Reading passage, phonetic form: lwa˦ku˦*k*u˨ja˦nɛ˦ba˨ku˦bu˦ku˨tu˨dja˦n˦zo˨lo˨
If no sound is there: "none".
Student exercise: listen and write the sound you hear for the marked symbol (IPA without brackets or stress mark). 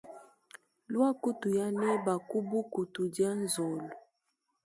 t